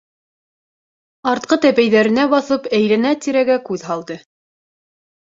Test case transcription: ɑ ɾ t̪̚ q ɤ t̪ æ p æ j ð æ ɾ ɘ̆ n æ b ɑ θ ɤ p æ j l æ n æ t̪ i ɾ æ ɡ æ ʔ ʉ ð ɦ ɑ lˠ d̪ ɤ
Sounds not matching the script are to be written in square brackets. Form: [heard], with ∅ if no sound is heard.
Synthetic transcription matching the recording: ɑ ɾ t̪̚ q ɤ t̪ æ p æ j ð æ ɾ ɘ̆ n æ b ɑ θ ɤ p æ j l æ n æ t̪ i ɾ æ ɡ æ [k] ʉ ð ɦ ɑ lˠ d̪ ɤ